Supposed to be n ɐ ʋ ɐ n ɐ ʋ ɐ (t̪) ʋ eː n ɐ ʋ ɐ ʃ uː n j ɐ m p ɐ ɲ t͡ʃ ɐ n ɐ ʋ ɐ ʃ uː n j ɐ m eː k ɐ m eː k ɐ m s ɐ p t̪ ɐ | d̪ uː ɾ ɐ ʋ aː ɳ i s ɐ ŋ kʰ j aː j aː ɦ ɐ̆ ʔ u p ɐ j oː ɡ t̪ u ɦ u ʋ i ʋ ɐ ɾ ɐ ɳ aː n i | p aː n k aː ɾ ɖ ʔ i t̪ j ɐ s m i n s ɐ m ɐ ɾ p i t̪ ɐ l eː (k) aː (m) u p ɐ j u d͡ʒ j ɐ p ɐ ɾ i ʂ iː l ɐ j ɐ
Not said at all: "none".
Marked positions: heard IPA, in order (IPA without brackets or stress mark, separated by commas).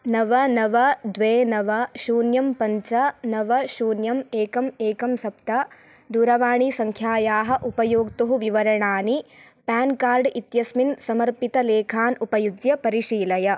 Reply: d̪, kʰ, n